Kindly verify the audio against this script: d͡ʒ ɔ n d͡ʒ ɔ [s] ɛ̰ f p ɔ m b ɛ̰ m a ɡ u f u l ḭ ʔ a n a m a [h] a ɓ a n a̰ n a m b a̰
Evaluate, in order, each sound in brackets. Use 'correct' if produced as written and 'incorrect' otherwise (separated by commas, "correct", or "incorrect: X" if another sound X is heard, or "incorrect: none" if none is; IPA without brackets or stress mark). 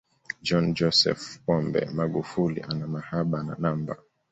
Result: correct, correct